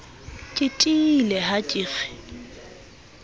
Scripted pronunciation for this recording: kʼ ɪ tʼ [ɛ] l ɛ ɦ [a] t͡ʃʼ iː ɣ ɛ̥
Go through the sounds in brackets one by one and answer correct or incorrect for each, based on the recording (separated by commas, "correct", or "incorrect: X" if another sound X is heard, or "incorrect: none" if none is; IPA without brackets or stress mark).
incorrect: i, correct